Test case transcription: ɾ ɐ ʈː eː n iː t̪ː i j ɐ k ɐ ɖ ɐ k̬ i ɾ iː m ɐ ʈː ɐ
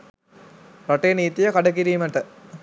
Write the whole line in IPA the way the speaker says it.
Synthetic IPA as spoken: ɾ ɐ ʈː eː n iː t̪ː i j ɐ k ɐ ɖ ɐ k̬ i ɾ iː m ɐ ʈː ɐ